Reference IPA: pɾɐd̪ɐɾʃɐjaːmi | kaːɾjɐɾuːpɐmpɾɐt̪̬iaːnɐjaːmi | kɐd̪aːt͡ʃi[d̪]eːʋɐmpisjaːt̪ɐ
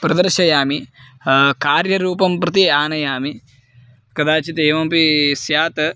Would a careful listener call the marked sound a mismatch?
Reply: yes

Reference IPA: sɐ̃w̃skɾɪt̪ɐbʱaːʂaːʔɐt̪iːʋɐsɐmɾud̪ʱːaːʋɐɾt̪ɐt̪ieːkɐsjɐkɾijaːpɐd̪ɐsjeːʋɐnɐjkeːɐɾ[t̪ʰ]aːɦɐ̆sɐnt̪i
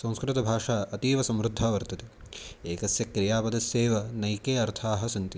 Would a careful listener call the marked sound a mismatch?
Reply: no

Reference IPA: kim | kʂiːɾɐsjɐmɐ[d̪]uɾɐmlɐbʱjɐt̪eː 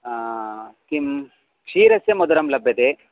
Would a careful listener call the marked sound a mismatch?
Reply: no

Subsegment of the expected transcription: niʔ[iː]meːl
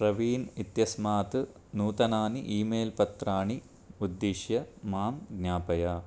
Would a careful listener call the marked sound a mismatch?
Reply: no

